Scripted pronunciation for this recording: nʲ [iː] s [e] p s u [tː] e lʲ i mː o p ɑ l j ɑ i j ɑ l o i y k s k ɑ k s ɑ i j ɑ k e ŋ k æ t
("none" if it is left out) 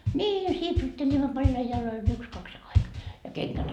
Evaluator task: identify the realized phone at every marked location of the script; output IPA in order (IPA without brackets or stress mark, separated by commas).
iː, i, tː